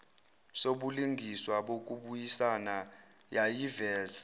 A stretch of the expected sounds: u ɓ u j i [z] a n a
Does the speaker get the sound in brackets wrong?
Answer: yes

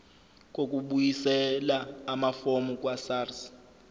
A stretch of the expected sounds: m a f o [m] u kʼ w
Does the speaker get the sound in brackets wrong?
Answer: no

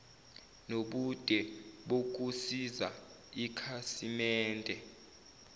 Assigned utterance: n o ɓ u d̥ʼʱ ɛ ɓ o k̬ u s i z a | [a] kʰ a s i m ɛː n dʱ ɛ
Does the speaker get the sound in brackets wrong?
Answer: yes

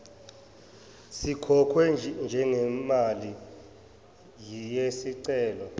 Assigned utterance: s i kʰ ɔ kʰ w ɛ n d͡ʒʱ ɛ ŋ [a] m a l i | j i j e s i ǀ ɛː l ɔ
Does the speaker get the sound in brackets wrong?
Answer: yes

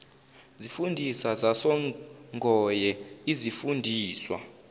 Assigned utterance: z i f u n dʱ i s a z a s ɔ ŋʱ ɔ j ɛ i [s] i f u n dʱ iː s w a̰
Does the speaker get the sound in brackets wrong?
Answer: yes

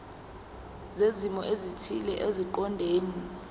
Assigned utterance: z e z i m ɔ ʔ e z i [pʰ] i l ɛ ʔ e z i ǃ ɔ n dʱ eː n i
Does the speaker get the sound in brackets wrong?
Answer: yes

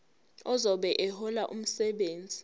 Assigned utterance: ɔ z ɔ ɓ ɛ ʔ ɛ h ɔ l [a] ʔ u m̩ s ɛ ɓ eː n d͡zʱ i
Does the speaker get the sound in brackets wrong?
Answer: no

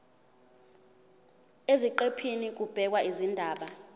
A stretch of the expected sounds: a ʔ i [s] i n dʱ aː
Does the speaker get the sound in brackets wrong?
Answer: yes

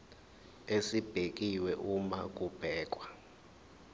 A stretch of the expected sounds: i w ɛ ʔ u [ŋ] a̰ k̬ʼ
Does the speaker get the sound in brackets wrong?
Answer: yes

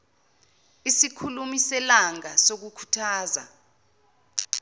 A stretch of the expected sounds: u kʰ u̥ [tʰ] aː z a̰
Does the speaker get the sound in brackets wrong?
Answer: no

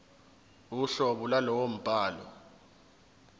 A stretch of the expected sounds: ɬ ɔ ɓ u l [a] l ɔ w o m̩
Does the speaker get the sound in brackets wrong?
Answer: no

